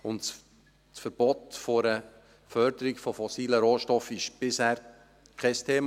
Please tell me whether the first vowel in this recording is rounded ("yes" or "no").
yes